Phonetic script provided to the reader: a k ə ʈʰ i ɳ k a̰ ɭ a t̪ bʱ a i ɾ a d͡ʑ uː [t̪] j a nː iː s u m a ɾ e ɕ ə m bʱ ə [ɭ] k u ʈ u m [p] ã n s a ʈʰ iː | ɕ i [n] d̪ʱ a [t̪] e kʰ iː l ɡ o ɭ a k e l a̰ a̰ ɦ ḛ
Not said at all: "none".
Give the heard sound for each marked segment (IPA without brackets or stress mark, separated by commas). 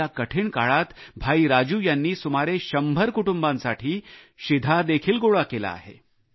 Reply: none, ɾ, b, none, d̪